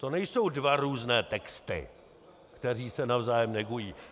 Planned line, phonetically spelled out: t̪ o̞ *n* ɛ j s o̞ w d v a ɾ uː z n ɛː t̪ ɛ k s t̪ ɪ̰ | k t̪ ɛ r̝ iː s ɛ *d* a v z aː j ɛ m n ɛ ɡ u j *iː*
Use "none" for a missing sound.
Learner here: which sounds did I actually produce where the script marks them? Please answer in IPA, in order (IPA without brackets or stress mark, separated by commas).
n, n, iː